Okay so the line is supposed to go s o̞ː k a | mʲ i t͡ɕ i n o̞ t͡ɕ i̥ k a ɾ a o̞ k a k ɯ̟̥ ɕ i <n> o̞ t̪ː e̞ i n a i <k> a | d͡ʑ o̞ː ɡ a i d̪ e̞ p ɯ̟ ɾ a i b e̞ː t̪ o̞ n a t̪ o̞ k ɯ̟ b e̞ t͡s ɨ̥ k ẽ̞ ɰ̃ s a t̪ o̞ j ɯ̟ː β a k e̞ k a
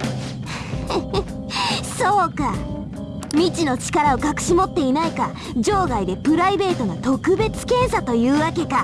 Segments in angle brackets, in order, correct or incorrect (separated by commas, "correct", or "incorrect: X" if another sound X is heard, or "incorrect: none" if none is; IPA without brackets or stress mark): incorrect: m, correct